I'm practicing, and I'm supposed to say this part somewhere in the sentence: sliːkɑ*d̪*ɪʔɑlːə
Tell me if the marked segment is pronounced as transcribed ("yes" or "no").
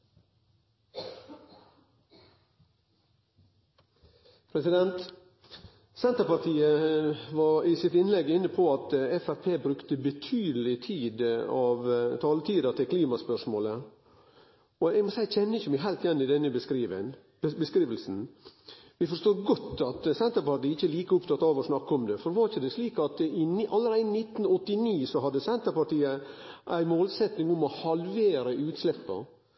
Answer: no